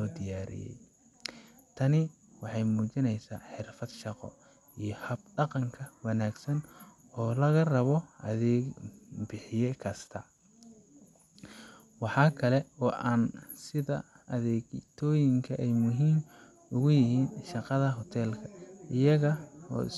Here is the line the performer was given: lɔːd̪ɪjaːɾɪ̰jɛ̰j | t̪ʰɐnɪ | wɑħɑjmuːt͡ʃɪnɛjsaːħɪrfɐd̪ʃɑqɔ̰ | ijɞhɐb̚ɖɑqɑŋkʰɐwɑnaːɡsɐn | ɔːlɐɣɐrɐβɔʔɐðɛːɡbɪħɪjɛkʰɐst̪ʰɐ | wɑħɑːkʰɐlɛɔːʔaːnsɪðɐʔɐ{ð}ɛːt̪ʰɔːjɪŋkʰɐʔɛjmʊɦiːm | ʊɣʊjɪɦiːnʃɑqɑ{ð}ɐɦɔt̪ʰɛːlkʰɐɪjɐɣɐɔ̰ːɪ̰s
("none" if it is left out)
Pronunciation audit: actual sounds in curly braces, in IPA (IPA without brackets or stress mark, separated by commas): ð, ð